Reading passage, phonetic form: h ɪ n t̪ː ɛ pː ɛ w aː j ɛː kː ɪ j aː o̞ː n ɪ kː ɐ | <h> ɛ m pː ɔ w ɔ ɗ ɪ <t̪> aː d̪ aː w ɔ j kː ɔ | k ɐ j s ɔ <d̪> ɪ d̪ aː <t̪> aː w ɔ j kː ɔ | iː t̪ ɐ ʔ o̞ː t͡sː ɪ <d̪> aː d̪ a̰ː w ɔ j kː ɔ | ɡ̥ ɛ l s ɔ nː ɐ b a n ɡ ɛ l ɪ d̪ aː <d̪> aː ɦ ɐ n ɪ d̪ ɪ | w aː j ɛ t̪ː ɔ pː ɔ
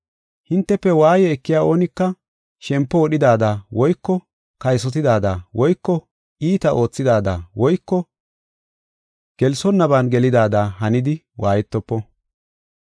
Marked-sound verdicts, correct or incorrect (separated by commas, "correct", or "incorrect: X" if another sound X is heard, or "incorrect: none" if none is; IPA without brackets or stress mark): incorrect: ʃ, incorrect: d̪, incorrect: t̪, incorrect: d̪, correct, correct